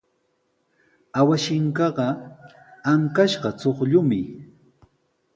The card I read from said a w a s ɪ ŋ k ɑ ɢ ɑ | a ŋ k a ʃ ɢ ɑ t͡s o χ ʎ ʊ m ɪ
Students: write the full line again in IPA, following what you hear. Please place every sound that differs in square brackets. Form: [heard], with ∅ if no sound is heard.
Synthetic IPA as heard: a w a [ʃ] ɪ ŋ k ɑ ɢ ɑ | a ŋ k a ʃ ɢ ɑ t͡s o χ ʎ ʊ m ɪ